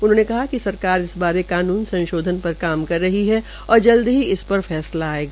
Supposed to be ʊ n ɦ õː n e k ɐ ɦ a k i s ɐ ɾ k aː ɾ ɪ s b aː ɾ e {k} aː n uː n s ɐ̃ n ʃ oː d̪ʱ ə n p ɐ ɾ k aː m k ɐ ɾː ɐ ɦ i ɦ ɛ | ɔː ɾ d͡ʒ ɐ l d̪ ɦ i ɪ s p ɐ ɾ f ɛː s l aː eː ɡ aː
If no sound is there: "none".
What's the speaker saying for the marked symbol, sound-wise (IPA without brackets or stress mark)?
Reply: k